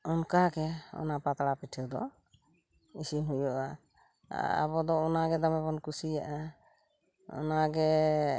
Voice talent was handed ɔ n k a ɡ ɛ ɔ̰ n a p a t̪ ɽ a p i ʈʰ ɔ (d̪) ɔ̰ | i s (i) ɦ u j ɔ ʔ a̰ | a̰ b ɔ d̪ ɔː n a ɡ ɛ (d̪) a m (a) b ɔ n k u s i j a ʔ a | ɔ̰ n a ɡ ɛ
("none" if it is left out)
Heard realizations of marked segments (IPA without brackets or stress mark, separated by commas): d̪, i, d̪, ɛ